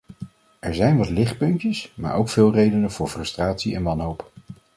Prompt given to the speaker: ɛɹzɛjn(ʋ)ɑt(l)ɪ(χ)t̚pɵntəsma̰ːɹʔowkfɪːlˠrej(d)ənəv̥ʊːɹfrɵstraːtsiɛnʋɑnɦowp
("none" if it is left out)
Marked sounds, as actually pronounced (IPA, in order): ʋ, l, χ, d

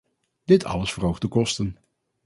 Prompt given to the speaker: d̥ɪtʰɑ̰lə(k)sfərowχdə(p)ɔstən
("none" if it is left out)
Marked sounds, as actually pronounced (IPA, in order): none, k

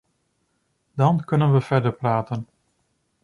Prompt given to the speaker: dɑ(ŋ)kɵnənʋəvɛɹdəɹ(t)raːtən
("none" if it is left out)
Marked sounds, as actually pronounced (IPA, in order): n, p

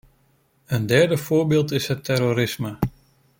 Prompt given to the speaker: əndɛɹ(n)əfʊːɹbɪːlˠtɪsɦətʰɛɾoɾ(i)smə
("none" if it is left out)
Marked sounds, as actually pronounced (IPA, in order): d, ɪ

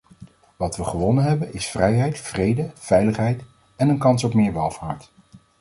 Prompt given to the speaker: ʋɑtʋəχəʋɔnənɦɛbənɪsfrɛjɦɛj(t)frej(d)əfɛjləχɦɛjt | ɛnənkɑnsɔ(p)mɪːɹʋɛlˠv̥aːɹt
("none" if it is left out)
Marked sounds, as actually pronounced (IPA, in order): t, d, p

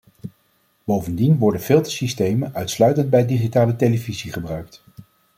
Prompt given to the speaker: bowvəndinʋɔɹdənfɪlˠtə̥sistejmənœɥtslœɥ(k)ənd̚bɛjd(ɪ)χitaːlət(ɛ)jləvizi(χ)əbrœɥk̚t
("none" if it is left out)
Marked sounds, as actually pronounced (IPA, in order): t, i, e, χ

